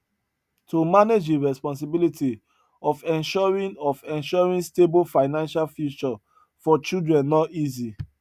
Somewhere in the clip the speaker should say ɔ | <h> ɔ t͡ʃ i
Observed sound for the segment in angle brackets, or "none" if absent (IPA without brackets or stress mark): f